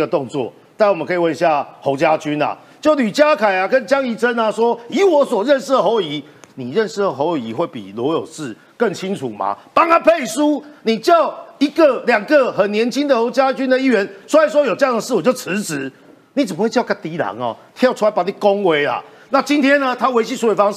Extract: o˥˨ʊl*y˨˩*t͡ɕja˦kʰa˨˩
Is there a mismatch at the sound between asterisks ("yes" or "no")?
no